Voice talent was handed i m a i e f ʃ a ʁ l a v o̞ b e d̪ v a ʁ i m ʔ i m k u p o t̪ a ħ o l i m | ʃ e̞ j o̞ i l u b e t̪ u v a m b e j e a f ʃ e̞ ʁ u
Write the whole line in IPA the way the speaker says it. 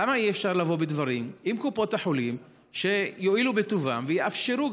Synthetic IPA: a m a i e f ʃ a ʁ l a v o̞ b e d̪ v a ʁ i m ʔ i m k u p o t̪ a ħ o l i m | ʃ e̞ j o̞ i l u b e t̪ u v a m v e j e a f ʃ e̞ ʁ u